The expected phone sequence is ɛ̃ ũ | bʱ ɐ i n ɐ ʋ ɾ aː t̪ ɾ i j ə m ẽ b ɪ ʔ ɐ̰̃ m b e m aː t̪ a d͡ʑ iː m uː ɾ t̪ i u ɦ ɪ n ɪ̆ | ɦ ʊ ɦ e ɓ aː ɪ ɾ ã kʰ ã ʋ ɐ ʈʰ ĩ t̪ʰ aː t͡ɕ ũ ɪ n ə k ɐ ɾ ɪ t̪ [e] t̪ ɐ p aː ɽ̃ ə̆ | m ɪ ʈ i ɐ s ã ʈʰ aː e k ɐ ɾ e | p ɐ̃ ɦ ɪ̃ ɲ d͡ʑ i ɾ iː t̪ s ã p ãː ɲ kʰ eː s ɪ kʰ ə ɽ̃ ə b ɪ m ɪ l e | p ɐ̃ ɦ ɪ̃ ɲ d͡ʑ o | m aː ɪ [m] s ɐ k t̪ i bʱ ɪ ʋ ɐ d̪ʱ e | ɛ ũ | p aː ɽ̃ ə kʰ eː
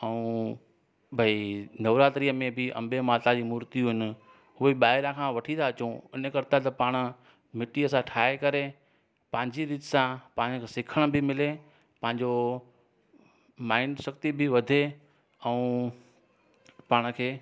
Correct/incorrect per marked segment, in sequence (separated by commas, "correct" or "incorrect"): incorrect, incorrect